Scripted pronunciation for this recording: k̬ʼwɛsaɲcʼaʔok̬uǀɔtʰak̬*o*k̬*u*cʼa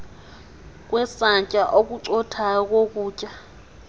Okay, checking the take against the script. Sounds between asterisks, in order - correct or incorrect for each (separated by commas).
correct, incorrect